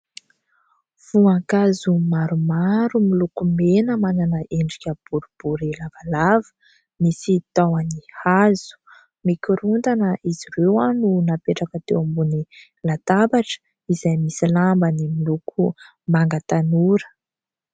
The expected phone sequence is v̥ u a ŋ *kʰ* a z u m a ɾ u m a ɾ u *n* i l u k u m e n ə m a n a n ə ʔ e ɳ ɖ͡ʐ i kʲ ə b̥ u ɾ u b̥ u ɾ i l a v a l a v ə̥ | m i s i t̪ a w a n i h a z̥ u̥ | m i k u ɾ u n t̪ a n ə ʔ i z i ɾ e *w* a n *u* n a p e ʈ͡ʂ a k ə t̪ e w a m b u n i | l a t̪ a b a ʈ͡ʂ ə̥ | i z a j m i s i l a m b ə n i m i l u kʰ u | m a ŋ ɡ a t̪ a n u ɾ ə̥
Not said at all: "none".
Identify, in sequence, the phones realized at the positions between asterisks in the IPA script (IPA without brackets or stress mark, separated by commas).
k, m, w, u